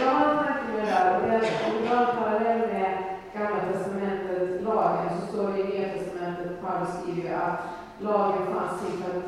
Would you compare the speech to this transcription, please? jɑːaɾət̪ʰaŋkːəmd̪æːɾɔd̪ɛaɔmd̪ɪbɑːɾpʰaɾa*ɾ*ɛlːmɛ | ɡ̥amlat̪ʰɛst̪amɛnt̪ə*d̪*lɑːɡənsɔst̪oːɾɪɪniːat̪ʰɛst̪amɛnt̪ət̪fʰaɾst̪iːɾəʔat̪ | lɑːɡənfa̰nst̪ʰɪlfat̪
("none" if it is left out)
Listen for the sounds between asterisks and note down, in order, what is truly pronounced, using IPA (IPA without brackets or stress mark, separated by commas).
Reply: l, t̪